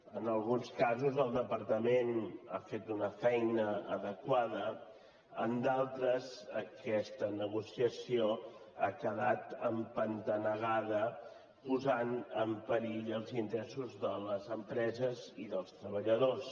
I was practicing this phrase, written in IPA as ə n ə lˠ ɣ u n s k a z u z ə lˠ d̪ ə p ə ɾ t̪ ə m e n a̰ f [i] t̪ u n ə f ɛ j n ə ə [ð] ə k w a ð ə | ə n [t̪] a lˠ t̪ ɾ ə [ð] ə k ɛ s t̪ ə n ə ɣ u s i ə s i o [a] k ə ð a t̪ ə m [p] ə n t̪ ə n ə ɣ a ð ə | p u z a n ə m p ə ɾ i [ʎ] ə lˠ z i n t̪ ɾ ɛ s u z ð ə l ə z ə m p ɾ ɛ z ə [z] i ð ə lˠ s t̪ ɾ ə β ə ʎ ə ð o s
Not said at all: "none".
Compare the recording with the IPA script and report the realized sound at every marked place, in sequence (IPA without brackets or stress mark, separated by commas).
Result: e, ð, d̪, z, a, p, ʎ, z